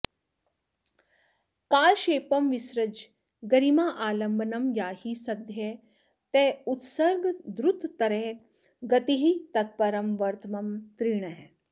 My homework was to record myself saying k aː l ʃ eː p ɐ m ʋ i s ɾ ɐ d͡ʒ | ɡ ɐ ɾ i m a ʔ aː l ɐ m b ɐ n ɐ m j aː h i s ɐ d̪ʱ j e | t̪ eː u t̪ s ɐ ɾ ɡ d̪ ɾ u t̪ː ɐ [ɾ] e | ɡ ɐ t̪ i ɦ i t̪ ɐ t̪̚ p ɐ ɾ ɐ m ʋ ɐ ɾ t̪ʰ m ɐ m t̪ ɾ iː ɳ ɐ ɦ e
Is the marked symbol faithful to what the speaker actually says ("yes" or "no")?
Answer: yes